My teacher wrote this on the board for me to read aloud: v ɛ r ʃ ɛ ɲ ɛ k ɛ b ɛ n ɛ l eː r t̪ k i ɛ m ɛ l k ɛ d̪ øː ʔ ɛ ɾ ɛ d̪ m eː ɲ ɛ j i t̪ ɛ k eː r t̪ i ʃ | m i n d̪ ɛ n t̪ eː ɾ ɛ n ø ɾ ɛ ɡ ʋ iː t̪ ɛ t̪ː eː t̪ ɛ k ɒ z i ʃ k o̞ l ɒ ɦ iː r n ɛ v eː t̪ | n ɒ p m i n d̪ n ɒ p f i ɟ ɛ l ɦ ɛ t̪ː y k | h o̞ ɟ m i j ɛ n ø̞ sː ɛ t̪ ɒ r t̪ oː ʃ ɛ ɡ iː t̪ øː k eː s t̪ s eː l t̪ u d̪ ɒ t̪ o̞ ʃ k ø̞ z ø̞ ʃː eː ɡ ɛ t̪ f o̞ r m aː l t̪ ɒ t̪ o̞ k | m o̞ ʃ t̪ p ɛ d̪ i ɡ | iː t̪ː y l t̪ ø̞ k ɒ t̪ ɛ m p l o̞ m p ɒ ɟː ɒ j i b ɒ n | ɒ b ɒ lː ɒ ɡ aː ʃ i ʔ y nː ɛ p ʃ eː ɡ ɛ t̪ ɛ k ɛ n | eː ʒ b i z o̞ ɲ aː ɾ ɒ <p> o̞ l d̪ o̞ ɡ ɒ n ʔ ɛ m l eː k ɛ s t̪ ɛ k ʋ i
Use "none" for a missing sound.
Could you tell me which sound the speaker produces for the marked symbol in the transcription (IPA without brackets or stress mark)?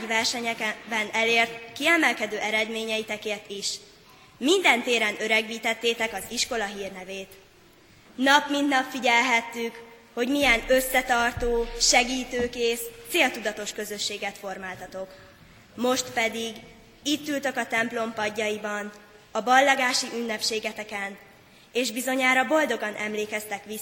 b